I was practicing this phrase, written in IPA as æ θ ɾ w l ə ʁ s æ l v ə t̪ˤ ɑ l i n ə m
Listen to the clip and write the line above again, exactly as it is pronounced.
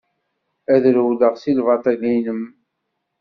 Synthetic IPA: æ ð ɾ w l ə ʁ s i l v ɑ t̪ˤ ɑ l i n ə m